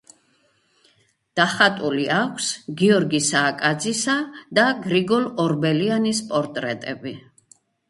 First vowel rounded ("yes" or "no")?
no